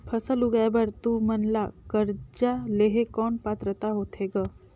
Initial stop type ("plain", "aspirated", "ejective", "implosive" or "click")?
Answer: aspirated